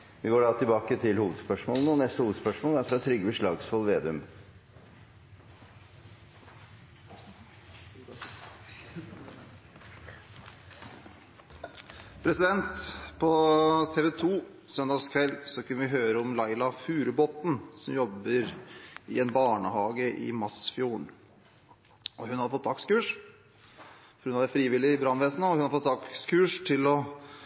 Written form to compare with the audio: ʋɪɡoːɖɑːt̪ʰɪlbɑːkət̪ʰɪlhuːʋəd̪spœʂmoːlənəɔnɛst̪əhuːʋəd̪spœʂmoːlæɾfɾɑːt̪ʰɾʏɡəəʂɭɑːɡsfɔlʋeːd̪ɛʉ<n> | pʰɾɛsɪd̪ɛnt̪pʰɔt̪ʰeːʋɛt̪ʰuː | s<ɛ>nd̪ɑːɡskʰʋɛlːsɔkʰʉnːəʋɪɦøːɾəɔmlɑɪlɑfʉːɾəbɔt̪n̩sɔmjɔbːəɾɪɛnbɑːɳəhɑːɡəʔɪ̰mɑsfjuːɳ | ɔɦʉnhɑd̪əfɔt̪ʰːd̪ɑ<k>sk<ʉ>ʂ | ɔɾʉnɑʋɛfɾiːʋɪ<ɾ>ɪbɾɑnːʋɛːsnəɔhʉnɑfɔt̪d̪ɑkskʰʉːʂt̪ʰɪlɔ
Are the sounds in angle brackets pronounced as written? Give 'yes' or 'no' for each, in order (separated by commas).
no, no, yes, no, no